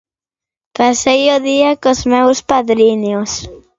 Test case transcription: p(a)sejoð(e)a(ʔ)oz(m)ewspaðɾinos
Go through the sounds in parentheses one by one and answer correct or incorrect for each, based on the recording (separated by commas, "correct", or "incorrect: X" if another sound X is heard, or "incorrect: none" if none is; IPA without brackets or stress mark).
correct, incorrect: i, incorrect: k, correct